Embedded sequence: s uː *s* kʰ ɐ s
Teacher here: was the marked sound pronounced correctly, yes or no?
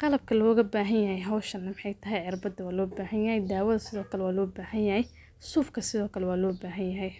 no